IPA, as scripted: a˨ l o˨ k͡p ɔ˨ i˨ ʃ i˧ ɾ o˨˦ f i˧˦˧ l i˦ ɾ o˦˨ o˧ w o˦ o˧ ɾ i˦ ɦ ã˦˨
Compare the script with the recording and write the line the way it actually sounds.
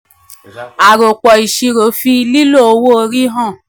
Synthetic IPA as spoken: a˨ ɾ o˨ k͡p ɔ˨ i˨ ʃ i˧ ɾ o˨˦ f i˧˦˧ l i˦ l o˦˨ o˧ w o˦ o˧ ɾ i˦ ɦ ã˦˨